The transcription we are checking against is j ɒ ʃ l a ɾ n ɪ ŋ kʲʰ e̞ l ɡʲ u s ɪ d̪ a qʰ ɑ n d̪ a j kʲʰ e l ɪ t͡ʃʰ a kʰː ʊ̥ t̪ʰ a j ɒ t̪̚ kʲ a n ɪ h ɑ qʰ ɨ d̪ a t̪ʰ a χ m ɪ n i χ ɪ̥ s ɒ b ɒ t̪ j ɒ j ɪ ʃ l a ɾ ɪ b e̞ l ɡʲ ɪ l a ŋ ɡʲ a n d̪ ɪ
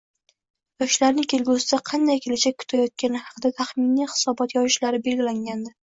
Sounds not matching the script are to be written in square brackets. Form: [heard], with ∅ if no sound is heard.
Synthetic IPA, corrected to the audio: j ɒ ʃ l a ɾ n ɪ ŋ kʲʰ e̞ l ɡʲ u s ɪ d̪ a qʰ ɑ n d̪ a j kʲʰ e l ɪ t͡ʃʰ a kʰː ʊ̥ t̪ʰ a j ɒ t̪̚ kʲ a n ɪ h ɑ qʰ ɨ d̪ a t̪ʰ a χ m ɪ n i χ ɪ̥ s ɒ b ɒ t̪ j ɒ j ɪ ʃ l a ɾ ɪ b e̞ l ɡʲ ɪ l a ŋ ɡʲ a n d̪ ɪ